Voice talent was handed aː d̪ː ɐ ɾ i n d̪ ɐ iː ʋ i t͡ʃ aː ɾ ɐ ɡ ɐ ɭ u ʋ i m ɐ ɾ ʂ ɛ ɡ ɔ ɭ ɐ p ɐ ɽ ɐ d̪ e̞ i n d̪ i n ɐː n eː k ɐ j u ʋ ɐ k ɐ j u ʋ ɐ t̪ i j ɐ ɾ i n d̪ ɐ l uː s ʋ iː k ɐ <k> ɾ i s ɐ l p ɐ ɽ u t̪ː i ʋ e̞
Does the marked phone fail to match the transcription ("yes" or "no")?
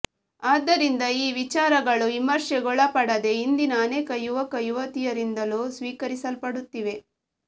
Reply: yes